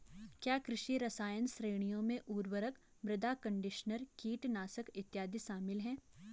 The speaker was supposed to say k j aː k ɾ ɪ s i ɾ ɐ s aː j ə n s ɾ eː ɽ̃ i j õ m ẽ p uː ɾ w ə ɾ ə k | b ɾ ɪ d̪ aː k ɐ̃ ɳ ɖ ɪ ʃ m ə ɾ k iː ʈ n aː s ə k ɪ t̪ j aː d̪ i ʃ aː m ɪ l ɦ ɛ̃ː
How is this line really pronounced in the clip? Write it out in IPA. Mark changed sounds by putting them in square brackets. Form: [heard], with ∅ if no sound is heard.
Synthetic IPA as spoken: k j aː k ɾ ɪ [ʃ] i ɾ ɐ s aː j ə n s ɾ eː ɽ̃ i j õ m ẽ [ʔ] uː ɾ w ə ɾ ə k | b ɾ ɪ d̪ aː k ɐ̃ ɳ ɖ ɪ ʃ [n] ə ɾ k iː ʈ n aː s ə k ɪ t̪ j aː d̪ i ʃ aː m ɪ l ɦ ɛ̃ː